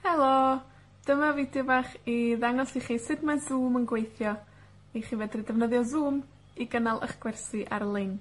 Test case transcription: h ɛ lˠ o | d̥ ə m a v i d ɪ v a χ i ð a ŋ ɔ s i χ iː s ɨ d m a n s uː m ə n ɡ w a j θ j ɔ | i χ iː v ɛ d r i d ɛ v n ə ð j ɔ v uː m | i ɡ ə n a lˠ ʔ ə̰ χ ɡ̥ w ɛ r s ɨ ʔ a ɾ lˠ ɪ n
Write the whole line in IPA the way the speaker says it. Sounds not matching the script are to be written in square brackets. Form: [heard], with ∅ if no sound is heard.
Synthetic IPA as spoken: h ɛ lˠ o | d̥ ə m a v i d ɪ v a χ i ð a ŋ ɔ s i χ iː s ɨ d m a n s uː m ə n ɡ w [e] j θ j ɔ | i χ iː v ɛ d r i d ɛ v n ə ð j ɔ [z] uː m | i ɡ ə n a lˠ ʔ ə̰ χ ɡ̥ w ɛ r s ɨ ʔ a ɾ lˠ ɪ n